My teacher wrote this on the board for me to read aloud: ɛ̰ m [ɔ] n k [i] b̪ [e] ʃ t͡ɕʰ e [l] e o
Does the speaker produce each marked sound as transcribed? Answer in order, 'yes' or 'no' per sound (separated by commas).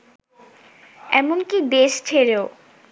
no, yes, yes, no